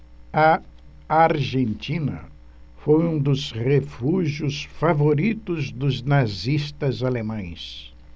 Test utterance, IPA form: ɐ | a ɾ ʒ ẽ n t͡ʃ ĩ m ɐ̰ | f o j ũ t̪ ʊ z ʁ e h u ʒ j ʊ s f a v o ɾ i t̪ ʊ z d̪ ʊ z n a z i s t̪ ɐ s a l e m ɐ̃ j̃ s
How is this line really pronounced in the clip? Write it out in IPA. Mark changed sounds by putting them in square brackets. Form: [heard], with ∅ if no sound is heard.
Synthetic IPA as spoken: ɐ | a ɾ ʒ ẽ n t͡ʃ ĩ [n] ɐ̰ | f o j ũ [d̪] ʊ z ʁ e [f] u ʒ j ʊ s f a v o ɾ i t̪ ʊ z d̪ ʊ z n a z i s t̪ ɐ [z] a l e m ɐ̃ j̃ s